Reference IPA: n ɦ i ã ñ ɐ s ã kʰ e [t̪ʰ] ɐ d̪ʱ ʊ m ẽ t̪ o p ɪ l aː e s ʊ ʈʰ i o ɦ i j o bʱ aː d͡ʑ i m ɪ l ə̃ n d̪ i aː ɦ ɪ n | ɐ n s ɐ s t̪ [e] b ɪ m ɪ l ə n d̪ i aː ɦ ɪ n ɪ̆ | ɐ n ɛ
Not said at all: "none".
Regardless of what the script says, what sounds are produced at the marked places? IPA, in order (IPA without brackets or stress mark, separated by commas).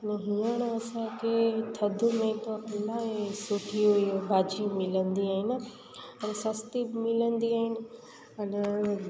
t̪ʰ, i